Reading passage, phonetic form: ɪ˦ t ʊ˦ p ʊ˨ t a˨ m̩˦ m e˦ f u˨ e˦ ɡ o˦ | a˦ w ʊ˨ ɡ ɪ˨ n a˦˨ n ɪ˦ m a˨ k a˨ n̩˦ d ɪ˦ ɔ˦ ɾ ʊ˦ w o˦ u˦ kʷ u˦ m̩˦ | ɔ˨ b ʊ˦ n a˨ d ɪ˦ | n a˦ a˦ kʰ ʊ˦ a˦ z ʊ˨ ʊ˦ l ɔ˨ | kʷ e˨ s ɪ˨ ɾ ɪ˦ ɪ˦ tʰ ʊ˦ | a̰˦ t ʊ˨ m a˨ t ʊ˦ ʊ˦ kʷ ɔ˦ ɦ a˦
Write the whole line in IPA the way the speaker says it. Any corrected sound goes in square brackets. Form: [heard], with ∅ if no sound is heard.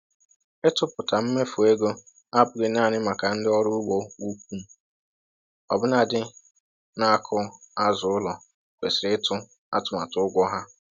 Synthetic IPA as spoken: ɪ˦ t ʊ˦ p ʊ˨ t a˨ m̩˦ m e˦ f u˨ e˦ ɡ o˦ | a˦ [b] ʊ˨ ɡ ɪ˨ n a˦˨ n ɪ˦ m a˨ k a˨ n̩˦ d ɪ˦ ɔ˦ ɾ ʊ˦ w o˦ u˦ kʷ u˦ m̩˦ | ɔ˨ b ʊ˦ n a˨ d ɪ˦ | n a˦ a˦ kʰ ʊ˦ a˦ z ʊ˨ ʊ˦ l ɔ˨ | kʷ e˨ s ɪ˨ ɾ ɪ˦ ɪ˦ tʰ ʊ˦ | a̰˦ t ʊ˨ m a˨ t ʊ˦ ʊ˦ [ɡʷ] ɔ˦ ɦ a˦